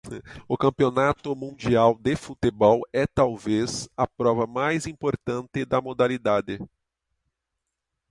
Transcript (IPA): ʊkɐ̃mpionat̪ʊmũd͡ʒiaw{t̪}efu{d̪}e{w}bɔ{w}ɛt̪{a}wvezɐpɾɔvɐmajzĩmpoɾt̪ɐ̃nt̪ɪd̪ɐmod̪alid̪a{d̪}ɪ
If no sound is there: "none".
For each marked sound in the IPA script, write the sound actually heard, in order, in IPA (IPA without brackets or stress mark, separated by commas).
d̪, t̪, none, w, a, d̪